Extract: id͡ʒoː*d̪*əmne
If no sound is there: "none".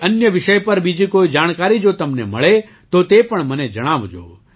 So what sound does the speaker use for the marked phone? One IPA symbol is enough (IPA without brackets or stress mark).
t̪